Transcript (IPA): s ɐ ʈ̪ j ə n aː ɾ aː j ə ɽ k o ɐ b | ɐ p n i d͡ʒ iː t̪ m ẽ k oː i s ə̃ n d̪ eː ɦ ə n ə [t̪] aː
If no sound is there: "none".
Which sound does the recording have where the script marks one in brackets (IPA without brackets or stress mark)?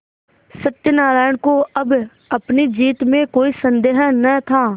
t̪ʰ